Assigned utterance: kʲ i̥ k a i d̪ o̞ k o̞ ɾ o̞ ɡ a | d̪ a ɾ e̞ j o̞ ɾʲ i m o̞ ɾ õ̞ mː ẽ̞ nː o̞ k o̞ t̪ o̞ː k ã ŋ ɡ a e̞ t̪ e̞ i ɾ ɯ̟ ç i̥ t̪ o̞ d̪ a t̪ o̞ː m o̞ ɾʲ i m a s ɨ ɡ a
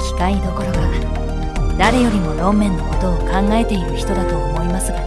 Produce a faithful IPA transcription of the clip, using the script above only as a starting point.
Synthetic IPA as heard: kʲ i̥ k a i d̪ o̞ k o̞ ɾ o̞ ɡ a | d̪ a ɾ e̞ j o̞ ɾʲ i m o̞ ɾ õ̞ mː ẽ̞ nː o̞ k o̞ t̪ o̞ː k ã ŋ ɡ a e̞ t̪ e̞ i ɾ ɯ̟ ç i̥ t̪ o̞ d̪ a t̪ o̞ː m o̞ i m a s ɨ ɡ a